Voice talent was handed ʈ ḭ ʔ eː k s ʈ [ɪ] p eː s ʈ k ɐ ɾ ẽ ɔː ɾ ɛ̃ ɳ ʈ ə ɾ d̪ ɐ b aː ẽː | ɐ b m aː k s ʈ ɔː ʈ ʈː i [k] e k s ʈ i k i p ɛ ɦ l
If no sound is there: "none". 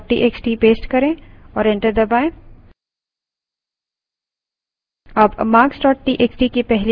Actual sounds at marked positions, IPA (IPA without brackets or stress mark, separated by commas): i, ʔ